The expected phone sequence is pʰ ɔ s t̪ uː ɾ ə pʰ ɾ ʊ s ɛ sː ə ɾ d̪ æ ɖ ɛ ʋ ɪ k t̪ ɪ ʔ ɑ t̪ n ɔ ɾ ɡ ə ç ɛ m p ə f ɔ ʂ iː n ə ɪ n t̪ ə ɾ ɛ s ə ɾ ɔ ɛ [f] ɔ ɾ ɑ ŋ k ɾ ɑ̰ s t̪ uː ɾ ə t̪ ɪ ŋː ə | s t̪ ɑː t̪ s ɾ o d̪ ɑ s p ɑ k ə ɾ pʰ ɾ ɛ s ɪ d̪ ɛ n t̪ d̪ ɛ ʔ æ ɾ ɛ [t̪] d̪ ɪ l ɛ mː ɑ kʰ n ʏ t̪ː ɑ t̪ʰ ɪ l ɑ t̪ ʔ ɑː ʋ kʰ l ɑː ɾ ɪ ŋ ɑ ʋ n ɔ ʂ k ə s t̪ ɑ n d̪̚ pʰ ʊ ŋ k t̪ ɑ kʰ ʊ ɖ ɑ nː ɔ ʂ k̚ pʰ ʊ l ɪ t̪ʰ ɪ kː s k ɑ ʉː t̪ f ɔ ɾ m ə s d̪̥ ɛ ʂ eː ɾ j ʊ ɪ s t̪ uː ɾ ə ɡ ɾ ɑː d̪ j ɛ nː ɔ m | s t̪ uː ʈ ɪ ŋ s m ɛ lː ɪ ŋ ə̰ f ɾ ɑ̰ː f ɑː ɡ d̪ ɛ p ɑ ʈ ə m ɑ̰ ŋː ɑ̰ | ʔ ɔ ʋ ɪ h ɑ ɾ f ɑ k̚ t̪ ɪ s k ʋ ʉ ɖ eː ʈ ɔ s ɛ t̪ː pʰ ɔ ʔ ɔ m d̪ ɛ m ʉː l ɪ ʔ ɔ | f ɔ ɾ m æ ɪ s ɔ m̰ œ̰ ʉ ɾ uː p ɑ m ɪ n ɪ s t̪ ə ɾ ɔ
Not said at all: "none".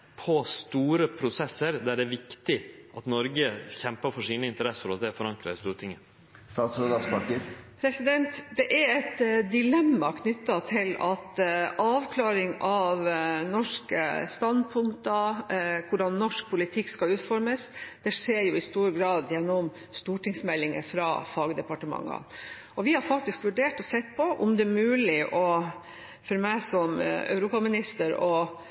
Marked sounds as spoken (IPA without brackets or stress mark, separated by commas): f, t̪